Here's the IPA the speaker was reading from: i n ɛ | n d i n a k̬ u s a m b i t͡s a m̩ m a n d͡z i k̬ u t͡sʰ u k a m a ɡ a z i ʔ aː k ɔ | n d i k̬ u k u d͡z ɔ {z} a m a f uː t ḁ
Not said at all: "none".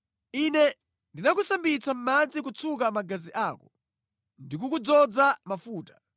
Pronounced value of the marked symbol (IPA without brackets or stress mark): d͡z